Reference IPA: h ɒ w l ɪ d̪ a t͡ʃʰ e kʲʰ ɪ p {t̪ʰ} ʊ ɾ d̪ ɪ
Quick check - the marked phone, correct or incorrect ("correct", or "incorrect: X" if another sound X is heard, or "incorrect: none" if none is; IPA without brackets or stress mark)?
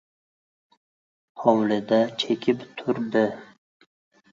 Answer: correct